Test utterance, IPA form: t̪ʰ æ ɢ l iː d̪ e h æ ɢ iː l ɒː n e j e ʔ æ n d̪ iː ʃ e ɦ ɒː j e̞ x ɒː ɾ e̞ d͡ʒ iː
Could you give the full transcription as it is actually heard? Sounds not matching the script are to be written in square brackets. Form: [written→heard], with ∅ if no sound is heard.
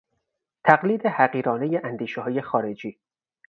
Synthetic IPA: t̪ʰ æ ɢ l iː d̪ e h æ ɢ iː [l→ɾ] ɒː n e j e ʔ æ n d̪ iː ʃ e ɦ ɒː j e̞ x ɒː ɾ e̞ d͡ʒ iː